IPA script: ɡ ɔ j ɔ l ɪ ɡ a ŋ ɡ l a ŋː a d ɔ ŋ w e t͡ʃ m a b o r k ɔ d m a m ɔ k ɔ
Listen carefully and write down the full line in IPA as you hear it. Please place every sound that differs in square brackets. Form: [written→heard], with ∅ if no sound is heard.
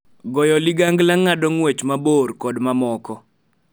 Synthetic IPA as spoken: ɡ ɔ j ɔ l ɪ ɡ a ŋ ɡ l a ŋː a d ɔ ŋ w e t͡ʃ m a b o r k ɔ d m a m ɔ k ɔ